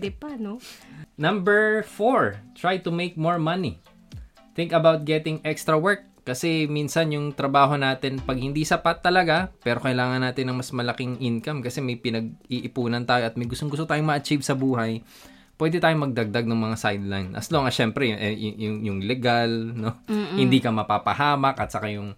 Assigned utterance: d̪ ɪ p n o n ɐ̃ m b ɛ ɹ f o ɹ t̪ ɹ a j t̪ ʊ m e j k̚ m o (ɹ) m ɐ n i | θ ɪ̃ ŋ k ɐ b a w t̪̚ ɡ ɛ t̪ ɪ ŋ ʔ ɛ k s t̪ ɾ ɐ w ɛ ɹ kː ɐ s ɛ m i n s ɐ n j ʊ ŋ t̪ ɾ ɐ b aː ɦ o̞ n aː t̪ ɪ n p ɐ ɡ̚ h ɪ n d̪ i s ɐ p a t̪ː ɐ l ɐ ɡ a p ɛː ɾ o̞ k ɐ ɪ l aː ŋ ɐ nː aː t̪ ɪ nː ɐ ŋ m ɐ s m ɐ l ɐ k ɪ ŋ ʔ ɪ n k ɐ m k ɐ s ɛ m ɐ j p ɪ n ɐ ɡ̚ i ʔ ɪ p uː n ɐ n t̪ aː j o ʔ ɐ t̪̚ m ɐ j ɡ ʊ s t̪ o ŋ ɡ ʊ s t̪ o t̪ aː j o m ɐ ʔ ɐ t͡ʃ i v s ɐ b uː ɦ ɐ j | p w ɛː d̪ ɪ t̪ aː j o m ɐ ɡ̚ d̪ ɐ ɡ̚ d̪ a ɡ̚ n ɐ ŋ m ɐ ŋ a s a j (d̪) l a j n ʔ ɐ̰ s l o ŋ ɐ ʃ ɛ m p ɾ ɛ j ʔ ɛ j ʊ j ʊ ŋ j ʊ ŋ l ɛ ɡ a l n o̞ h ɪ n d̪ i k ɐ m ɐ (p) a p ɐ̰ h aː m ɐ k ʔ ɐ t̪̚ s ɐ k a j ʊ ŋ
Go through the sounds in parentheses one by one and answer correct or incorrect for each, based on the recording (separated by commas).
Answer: correct, correct, correct